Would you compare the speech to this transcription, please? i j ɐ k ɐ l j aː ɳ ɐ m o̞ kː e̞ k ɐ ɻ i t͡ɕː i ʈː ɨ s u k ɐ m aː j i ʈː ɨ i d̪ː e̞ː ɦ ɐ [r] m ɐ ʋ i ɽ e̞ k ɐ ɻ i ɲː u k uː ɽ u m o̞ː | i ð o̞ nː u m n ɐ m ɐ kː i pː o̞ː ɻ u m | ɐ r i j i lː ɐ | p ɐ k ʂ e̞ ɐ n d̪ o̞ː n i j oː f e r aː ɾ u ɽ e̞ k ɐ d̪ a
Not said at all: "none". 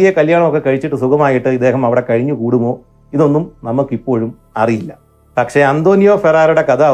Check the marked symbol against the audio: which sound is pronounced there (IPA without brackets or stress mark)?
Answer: none